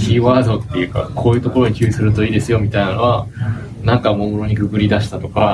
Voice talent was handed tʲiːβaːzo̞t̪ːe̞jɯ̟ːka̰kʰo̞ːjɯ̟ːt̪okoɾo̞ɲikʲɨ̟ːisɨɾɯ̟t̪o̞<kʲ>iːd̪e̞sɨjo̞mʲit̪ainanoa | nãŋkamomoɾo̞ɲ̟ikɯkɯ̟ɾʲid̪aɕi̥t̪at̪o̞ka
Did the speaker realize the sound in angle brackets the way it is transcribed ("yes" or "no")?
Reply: no